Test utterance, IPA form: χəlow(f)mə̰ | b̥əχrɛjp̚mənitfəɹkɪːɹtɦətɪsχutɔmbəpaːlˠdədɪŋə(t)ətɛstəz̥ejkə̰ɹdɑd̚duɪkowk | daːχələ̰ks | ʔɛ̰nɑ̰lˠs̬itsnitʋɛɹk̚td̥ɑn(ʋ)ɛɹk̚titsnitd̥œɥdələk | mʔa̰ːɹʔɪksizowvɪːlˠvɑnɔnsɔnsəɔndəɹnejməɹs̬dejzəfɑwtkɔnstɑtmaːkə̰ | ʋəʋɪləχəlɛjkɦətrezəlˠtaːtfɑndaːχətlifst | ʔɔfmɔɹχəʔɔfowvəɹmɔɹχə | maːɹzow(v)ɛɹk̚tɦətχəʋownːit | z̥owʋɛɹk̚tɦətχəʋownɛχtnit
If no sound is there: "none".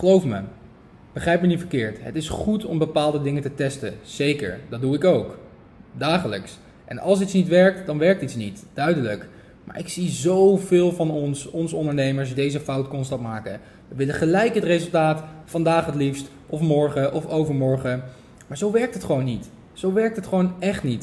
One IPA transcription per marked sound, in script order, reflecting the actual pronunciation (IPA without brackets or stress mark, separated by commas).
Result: f, t, ʋ, ʋ